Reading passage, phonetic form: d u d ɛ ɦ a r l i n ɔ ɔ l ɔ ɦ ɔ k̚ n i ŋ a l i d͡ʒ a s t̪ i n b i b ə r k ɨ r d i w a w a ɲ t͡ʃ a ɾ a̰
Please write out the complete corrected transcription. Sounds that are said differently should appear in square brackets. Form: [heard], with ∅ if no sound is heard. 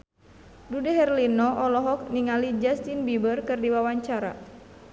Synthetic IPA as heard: d u d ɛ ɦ [ɛ] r l i n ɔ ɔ l ɔ ɦ ɔ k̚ n i ŋ a l i d͡ʒ a s t̪ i n b i b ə r k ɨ r d i w a w a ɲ t͡ʃ a ɾ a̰